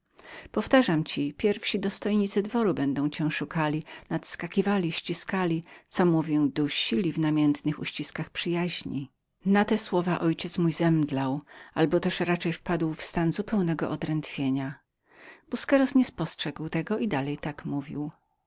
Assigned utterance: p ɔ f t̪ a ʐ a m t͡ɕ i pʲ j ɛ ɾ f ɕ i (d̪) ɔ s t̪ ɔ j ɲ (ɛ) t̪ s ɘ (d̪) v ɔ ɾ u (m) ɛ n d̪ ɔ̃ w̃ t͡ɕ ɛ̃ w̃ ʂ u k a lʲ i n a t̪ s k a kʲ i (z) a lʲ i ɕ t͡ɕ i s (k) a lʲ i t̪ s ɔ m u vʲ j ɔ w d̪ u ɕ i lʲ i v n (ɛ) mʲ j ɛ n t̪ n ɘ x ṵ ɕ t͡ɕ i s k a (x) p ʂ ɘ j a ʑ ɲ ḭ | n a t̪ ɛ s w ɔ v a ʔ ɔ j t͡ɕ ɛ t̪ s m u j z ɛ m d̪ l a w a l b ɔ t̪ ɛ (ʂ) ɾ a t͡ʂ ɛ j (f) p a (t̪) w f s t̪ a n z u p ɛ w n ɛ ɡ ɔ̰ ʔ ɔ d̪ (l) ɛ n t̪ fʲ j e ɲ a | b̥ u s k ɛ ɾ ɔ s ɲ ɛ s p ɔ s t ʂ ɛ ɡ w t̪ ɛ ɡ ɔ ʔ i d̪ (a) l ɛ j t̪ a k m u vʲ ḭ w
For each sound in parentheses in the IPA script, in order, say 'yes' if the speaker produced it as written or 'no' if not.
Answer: yes, no, yes, no, no, yes, no, yes, yes, yes, no, no, yes

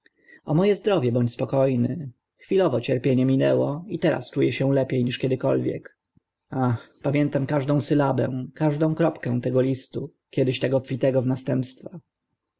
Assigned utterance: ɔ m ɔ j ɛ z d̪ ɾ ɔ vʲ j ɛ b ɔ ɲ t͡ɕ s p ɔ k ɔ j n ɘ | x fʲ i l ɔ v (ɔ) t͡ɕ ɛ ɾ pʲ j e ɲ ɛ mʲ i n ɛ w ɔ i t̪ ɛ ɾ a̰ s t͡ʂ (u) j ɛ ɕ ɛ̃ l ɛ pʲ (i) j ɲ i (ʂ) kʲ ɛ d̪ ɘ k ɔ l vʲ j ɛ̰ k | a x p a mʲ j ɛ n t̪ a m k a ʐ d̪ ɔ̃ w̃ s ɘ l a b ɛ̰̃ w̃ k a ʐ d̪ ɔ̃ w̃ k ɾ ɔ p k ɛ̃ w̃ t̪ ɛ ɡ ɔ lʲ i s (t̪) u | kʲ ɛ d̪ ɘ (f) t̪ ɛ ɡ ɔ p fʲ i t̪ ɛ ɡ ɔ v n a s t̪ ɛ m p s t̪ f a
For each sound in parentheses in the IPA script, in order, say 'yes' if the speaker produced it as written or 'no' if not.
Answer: yes, yes, no, yes, yes, no

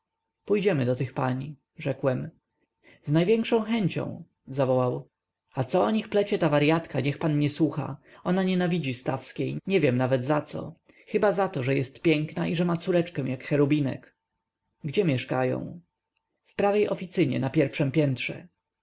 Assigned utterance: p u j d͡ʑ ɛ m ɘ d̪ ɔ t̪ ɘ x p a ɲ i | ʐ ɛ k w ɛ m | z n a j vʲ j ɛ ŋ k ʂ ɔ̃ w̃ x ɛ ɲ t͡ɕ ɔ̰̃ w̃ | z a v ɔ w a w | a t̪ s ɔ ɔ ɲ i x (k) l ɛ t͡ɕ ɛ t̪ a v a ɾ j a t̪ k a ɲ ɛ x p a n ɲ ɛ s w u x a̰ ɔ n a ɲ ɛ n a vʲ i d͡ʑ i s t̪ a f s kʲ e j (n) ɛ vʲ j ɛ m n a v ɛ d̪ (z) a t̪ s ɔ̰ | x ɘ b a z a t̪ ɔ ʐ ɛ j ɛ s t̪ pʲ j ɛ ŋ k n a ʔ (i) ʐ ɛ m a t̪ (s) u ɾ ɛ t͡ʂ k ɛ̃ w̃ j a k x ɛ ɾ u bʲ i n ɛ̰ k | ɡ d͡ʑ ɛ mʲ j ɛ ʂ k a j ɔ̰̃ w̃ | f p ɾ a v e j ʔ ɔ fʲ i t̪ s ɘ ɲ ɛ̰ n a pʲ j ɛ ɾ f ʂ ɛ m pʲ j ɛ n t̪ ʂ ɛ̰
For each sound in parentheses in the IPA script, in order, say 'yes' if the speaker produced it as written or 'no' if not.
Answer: no, no, yes, yes, yes

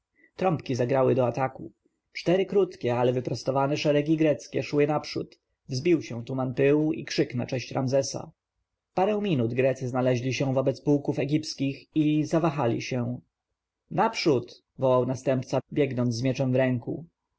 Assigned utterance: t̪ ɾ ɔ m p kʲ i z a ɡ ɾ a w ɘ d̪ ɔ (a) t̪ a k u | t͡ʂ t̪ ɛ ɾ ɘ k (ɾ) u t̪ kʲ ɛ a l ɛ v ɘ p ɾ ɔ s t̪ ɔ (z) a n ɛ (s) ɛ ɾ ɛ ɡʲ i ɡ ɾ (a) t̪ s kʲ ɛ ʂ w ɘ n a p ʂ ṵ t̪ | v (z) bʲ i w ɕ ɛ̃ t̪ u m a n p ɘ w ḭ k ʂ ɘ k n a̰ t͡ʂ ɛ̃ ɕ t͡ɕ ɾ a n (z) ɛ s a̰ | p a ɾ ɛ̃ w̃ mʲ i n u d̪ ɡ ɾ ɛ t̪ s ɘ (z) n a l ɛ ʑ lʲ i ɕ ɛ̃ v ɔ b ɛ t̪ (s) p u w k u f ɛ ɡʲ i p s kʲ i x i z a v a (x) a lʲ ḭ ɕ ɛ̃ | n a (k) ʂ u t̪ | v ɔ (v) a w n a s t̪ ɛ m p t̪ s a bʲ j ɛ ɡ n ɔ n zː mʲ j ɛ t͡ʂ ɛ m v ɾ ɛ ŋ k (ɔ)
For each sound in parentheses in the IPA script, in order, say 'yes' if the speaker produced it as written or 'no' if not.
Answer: yes, yes, no, no, no, yes, yes, yes, yes, yes, no, no, no

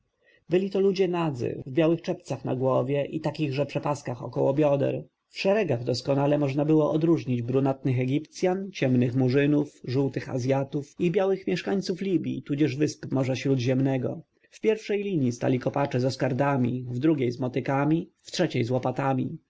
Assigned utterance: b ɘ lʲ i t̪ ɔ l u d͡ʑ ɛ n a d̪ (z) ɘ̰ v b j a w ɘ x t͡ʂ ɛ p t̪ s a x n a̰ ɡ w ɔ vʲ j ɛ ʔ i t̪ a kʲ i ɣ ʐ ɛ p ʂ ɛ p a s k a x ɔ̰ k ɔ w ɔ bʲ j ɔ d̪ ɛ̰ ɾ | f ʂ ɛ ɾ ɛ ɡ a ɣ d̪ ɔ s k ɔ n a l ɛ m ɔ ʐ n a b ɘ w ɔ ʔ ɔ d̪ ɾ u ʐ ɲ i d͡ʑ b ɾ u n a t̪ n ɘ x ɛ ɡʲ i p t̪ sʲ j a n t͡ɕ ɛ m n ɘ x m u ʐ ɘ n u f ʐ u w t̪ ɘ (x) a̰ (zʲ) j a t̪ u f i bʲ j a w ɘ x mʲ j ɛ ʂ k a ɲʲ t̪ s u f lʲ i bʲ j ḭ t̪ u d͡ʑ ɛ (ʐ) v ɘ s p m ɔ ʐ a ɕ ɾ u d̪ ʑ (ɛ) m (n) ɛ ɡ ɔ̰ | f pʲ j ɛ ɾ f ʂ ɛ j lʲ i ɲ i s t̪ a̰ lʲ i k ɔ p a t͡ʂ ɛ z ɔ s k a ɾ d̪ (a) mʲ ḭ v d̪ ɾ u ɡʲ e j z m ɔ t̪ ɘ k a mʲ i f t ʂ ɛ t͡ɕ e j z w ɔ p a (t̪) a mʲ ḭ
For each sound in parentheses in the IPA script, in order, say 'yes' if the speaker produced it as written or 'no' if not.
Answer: yes, yes, yes, yes, yes, yes, yes, yes

